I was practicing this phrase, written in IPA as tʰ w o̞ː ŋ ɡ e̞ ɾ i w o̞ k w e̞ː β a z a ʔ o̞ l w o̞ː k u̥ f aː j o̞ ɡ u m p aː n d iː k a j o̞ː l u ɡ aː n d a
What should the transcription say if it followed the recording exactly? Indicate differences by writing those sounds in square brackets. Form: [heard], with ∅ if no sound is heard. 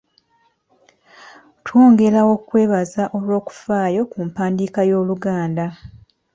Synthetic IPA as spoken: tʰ w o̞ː ŋ ɡ e̞ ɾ [a] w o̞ k w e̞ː β a z a ʔ o̞ l w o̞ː k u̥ f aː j o̞ [k] u m p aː n d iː k a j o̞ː l u ɡ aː n d a